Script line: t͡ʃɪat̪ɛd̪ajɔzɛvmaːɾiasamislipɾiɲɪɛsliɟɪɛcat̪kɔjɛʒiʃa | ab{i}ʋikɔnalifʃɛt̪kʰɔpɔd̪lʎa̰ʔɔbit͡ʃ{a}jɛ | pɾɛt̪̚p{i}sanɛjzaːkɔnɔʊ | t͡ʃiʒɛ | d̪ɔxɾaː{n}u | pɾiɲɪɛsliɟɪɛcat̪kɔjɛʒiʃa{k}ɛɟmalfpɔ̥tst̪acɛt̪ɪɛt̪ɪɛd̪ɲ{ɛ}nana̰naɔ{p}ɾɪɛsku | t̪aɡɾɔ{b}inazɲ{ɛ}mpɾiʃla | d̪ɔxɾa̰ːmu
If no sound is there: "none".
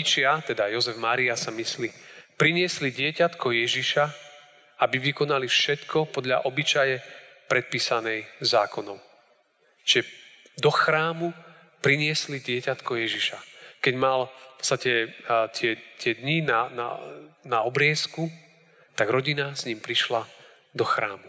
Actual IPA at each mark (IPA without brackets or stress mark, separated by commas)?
i, a, iː, m, k, i, b, ɟ, i